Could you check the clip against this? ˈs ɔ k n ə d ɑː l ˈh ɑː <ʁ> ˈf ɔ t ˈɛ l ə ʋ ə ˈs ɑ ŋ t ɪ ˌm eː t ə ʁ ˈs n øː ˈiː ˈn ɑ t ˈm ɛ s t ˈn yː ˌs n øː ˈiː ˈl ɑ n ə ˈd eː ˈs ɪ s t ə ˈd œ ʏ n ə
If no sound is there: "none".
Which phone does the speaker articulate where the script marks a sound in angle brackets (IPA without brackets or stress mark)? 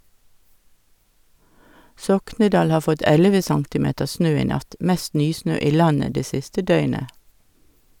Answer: none